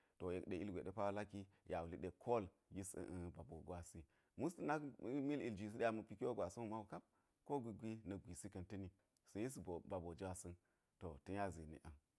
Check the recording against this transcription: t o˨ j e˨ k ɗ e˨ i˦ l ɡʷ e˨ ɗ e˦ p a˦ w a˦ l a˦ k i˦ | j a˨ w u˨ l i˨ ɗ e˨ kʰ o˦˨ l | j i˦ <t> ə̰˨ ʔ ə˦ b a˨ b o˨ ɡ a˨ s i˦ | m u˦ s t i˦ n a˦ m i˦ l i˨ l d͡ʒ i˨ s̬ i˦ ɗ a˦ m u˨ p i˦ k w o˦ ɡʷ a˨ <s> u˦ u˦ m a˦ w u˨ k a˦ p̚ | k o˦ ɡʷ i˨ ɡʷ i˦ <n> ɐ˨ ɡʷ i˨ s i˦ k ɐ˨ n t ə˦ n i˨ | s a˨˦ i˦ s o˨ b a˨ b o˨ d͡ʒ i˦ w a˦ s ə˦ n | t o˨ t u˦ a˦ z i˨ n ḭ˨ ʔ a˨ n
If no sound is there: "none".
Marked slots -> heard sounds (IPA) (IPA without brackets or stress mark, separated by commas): s, s, n